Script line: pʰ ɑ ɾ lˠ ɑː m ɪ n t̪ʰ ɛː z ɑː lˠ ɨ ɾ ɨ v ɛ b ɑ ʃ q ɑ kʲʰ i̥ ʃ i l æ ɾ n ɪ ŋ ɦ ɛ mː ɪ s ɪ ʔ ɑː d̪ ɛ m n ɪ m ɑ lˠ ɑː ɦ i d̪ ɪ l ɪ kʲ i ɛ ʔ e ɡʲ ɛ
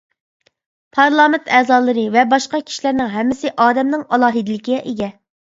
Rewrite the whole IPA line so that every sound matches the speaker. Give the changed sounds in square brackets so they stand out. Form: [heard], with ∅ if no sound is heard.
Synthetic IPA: pʰ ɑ ɾ lˠ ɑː m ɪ n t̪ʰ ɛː z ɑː lˠ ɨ ɾ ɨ v ɛ b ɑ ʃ q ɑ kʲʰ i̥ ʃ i l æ ɾ n ɪ ŋ ɦ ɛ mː ɪ s ɪ ʔ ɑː d̪ ɛ m n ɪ [ŋ] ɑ lˠ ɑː ɦ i d̪ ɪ l ɪ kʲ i ɛ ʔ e ɡʲ ɛ